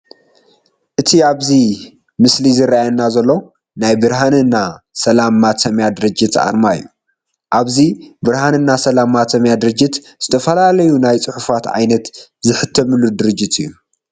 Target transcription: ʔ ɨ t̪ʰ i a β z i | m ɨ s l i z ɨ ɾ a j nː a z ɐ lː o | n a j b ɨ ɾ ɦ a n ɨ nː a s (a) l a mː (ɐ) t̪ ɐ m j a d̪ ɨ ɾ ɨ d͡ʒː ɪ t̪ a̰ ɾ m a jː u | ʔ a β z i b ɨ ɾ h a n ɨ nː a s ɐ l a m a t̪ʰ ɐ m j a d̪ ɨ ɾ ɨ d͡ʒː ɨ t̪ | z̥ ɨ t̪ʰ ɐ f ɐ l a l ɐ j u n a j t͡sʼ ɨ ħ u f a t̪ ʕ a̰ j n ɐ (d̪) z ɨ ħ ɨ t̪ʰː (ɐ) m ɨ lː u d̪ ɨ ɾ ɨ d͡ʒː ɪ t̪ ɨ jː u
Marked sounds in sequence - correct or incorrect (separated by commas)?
incorrect, incorrect, incorrect, correct